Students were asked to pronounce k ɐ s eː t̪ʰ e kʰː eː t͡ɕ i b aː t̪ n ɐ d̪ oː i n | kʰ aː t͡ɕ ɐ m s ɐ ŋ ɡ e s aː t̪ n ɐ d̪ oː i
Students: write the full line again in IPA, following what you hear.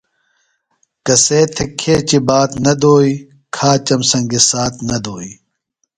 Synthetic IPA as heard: k ɐ s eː t̪ʰ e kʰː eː t͡ɕ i b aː t̪ n ɐ d̪ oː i | kʰ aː t͡ɕ ɐ m s ɐ ŋ ɡ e s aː t̪ n ɐ d̪ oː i